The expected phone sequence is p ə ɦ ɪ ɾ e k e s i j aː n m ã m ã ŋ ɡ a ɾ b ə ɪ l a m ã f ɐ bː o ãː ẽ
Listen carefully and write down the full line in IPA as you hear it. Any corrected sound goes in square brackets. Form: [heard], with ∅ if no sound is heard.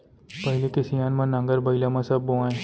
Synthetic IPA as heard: p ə ɦ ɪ [l] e k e s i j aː n m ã [n] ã ŋ ɡ [ə] ɾ b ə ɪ l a m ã [s] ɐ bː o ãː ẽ